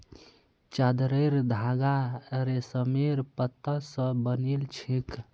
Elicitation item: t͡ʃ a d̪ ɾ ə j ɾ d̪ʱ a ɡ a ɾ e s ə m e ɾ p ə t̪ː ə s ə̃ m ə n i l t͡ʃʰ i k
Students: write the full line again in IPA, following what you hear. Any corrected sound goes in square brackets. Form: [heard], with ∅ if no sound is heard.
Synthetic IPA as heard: t͡ʃ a d̪ ɾ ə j ɾ d̪ʱ a ɡ a ɾ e s ə m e ɾ p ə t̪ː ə s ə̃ [b] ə n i l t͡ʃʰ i k

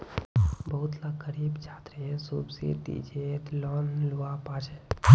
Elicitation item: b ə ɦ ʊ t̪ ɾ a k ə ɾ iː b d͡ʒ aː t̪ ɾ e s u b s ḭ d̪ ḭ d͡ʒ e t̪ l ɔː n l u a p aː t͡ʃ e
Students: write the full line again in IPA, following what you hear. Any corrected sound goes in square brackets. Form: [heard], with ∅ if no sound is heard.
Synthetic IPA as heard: b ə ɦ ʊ t̪ [l] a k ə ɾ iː b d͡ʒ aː t̪ ɾ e s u b s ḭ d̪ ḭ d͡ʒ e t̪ l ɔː n l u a p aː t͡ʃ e

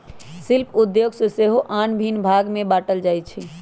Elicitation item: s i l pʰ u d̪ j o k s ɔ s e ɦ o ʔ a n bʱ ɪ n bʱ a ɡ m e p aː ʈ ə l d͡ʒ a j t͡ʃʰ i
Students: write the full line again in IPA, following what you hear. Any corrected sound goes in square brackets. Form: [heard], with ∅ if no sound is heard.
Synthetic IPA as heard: s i l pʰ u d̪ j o [ɡ] s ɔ s e ɦ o ʔ a n bʱ [i] n bʱ a ɡ m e [b] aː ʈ ə l d͡ʒ a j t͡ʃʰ i

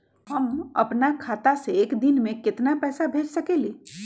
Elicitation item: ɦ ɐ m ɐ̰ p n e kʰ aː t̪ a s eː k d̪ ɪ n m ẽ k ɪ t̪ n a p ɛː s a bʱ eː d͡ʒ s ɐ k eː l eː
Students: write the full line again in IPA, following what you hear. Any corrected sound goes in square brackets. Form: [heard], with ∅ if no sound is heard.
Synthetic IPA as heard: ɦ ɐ m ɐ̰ p n [a] kʰ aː t̪ a s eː k d̪ ɪ n m ẽ k ɪ t̪ n a p ɛː s a bʱ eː d͡ʒ s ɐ k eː l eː

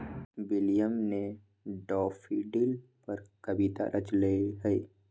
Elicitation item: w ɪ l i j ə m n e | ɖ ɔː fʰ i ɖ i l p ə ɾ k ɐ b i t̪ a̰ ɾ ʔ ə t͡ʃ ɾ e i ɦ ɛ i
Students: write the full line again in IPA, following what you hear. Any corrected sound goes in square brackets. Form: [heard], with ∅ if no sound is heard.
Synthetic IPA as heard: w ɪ l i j ə m n e | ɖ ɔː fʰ i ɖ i l p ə ɾ k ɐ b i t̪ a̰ ɾ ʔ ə t͡ʃ [l] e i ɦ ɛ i

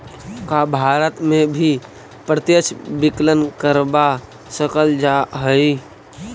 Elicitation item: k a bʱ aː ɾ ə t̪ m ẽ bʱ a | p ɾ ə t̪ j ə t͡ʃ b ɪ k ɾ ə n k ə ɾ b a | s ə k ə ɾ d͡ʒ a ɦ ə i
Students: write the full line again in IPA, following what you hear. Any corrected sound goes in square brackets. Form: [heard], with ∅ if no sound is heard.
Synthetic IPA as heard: k a bʱ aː ɾ ə t̪ m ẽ bʱ [i] | p ɾ ə t̪ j ə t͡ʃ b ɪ k [l] ə n k ə ɾ b a | s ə k ə [l] d͡ʒ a ɦ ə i

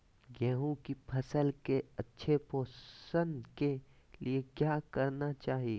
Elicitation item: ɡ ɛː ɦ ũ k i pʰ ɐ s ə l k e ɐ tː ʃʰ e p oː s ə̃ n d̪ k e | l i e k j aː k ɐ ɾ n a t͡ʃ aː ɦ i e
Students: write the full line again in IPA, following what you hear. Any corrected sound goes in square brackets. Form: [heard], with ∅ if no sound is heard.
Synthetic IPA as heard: ɡ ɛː ɦ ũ k i pʰ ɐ s ə l k e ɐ tː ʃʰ e p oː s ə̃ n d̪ k e | l i e k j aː k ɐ ɾ n a t͡ʃ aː ɦ i e

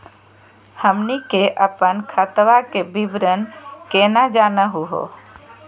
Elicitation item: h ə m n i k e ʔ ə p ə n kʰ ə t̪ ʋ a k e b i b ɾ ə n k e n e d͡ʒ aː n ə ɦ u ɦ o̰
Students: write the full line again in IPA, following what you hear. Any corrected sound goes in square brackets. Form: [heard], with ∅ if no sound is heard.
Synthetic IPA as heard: h ə m n i k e ʔ ə p ə n kʰ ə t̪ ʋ a k e b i b ɾ ə n k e n [a] d͡ʒ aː n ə ɦ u ɦ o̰

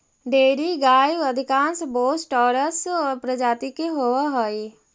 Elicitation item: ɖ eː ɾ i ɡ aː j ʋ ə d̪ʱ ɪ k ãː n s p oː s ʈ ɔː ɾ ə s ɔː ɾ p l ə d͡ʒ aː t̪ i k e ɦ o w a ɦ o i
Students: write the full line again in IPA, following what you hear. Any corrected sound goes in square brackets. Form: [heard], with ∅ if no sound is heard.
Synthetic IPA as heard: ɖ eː ɾ i ɡ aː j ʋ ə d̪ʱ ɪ k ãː n s [b] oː s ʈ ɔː ɾ ə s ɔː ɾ p [ɾ] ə d͡ʒ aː t̪ i k e ɦ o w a ɦ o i

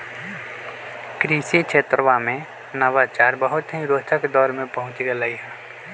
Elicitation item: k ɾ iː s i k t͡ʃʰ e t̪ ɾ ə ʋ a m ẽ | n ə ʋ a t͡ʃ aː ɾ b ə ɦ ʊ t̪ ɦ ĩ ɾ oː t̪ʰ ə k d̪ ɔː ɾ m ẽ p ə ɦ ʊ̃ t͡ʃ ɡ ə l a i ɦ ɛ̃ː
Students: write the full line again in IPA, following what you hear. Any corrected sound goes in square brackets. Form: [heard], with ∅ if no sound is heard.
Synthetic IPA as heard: k ɾ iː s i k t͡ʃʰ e t̪ ɾ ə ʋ a m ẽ | n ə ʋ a t͡ʃ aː ɾ b ə ɦ ʊ t̪ ɦ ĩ ɾ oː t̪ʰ ə k d̪ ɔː ɾ m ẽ p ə ɦ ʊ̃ t͡ʃ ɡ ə l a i ɦ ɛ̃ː

